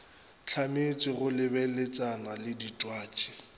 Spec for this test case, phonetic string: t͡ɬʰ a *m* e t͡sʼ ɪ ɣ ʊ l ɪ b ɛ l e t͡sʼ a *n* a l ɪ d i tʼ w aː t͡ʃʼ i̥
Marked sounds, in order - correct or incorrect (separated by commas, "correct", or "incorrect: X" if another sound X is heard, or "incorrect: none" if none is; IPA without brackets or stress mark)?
correct, correct